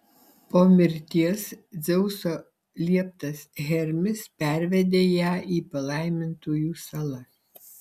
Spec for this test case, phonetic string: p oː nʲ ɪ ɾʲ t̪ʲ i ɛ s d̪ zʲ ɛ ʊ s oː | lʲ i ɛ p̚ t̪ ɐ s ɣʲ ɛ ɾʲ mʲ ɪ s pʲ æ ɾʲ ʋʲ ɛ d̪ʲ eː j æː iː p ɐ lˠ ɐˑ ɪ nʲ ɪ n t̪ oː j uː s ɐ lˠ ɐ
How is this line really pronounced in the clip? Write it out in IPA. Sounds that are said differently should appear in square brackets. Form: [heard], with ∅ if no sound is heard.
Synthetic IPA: p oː [mʲ] ɪ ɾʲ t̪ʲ i ɛ s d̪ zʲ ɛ ʊ s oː | lʲ i ɛ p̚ t̪ ɐ s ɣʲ ɛ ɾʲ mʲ ɪ s pʲ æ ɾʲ ʋʲ ɛ d̪ʲ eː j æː iː p ɐ lˠ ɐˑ ɪ [mʲ] ɪ n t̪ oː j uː s ɐ lˠ ɐ